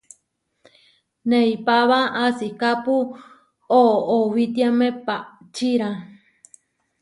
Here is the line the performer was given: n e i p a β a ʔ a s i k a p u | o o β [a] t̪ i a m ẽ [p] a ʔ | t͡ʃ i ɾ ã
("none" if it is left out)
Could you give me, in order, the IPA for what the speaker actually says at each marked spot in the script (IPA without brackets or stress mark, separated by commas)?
i, p